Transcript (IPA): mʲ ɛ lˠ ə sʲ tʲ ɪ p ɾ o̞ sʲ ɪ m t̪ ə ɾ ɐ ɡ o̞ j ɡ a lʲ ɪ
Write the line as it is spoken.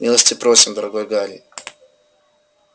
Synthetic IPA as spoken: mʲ i lˠ ə sʲ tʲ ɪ p ɾ o̞ sʲ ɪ m d̪ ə ɾ ɐ ɡ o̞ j ɡ a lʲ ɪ